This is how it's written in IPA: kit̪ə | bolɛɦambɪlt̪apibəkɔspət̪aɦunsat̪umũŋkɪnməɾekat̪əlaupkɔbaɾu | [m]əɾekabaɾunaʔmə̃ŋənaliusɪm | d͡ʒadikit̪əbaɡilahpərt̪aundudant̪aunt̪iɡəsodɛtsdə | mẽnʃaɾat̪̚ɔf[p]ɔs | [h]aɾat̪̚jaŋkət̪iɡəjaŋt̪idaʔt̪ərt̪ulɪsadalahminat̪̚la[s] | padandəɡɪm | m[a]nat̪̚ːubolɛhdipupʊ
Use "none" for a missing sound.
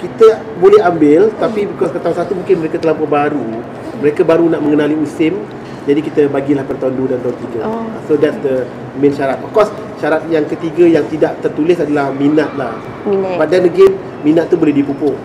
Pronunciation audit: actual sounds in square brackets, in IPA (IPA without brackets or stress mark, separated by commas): m, k, ʃ, h, i